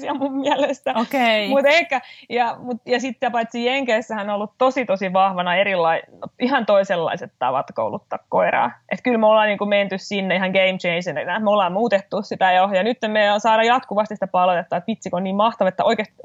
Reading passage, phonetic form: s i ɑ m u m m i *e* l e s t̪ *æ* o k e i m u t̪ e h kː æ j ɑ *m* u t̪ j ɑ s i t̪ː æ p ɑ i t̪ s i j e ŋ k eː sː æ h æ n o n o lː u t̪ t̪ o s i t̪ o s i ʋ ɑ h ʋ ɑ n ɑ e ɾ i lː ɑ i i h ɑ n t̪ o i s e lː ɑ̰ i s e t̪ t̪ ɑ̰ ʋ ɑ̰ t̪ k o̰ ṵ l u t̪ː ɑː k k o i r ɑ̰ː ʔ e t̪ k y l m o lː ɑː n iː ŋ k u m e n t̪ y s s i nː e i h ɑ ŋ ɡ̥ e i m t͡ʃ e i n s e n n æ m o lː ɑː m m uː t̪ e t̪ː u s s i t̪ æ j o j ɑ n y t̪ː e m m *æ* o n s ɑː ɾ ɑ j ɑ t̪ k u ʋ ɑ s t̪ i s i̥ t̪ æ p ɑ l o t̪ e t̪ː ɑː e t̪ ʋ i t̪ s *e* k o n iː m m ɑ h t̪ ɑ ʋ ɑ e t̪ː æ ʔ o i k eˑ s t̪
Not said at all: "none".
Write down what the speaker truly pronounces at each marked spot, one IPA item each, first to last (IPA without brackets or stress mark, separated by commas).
æ, æ, m, e, i